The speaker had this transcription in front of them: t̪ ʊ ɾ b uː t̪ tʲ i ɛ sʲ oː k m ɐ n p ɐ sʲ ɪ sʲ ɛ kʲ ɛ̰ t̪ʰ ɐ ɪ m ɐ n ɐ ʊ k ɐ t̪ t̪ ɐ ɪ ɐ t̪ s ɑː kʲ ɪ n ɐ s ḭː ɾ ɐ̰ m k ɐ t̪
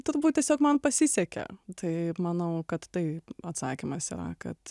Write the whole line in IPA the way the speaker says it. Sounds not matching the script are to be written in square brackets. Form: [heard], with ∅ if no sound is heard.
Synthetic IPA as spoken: t̪ ʊ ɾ b uː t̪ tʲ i ɛ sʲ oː k m ɐ n p ɐ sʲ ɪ sʲ ɛ kʲ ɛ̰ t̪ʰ ɐ ɪ m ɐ n ɐ ʊ k ɐ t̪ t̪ ɐ ɪ ɐ t̪ s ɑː kʲ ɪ [m] ɐ s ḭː ɾ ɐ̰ [∅] k ɐ t̪